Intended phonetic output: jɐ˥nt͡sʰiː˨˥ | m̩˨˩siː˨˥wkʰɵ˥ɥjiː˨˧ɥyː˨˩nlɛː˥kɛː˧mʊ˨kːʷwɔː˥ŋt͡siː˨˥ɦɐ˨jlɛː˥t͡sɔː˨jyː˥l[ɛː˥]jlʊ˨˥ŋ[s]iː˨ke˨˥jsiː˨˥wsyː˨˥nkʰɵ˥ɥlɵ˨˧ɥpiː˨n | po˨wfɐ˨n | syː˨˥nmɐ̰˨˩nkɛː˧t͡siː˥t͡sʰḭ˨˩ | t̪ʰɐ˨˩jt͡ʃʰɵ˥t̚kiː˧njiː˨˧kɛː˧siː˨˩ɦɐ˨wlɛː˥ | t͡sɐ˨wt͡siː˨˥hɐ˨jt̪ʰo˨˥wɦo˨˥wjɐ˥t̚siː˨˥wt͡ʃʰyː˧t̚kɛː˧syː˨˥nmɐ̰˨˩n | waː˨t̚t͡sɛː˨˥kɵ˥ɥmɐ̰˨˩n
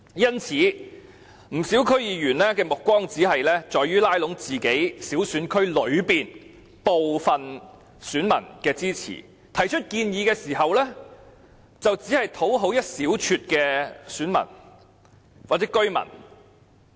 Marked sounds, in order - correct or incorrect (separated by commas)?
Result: incorrect, incorrect